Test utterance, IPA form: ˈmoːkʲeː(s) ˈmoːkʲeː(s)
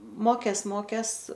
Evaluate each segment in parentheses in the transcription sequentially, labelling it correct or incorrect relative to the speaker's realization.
correct, correct

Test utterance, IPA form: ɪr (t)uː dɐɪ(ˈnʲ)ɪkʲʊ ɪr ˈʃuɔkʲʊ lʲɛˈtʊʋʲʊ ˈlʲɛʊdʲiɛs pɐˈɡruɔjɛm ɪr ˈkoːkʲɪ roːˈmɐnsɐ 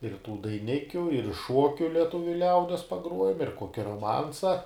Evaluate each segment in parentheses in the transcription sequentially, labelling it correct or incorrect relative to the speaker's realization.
correct, correct

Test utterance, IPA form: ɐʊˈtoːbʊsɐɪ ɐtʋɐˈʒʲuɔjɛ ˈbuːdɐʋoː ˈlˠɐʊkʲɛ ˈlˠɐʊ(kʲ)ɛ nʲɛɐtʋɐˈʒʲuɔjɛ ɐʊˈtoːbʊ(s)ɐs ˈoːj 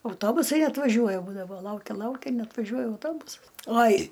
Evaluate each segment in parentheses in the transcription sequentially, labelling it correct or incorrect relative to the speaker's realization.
correct, correct

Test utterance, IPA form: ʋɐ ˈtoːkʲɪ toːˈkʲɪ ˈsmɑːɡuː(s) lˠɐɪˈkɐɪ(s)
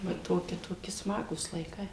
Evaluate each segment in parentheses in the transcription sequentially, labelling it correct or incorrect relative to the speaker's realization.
correct, incorrect

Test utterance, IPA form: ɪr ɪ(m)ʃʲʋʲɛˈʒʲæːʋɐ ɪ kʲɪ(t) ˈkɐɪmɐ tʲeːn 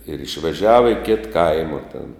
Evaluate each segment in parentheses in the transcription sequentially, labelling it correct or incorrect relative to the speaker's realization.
incorrect, correct

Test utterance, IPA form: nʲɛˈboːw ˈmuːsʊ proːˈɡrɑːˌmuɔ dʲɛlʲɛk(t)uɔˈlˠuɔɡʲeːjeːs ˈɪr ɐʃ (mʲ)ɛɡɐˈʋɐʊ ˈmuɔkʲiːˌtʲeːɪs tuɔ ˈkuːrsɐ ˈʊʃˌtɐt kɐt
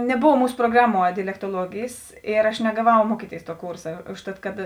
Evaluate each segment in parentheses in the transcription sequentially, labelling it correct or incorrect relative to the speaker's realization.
correct, incorrect

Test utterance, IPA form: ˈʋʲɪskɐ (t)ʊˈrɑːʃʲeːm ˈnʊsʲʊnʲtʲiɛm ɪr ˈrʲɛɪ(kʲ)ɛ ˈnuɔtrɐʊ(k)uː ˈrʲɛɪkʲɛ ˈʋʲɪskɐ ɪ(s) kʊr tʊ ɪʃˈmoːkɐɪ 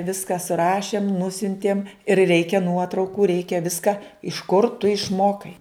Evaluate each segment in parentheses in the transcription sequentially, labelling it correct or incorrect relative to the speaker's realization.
incorrect, correct, correct, incorrect

